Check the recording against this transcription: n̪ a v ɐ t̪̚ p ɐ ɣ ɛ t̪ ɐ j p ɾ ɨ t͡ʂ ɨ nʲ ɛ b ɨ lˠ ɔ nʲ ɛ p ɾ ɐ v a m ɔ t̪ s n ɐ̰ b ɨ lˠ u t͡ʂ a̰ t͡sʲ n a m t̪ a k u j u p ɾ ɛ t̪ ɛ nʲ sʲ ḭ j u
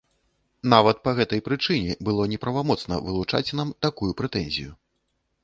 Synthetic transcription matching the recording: n̪ a v ɐ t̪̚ p ɐ ɣ ɛ t̪ ɐ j p ɾ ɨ t͡ʂ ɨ nʲ ɛ b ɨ lˠ ɔ nʲ ɛ p ɾ ɐ v a m ɔ t̪ s n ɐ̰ v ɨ lˠ u t͡ʂ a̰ t͡sʲ n a m t̪ a k u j u p ɾ ɛ t̪ ɛ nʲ zʲ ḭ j u